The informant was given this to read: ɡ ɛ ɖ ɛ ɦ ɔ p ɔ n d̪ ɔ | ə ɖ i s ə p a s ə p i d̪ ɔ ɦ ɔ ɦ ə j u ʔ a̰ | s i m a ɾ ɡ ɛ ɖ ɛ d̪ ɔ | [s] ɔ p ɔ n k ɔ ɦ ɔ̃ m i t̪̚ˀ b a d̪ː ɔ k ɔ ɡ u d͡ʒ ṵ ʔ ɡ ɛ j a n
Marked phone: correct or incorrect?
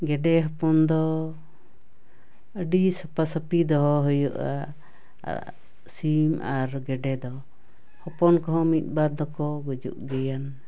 incorrect